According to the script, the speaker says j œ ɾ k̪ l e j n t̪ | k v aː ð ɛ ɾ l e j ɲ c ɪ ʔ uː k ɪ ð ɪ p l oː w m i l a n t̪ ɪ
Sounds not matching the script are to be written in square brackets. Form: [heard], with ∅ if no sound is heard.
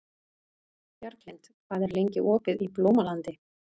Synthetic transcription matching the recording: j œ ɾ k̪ l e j n t̪ | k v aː ð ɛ ɾ l e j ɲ c ɪ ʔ [ɔː] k ɪ ð [i] p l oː w m [a] l a n t̪ ɪ